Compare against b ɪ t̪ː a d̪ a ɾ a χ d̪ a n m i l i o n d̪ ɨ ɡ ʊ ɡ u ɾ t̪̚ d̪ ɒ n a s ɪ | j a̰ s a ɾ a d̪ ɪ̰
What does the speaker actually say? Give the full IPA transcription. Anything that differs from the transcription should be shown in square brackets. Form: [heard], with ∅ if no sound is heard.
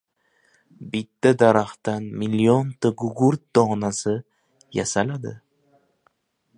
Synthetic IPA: b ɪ t̪ː a d̪ a ɾ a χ [t̪] a n m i l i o n [t̪] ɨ ɡ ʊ ɡ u ɾ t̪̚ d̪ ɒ n a s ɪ | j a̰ s a [l] a d̪ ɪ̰